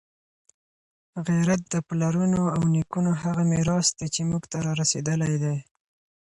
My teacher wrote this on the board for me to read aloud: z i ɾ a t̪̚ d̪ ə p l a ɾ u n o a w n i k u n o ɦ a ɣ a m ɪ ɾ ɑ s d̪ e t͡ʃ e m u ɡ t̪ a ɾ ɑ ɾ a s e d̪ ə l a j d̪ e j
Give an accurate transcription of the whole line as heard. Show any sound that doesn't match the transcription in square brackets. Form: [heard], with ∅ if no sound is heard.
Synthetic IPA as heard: [ɣ] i ɾ a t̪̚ d̪ ə p l a ɾ u n o a w n i k u n o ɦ a ɣ a m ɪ ɾ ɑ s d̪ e t͡ʃ e m u ɡ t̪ a ɾ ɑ ɾ a s e d̪ ə l a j d̪ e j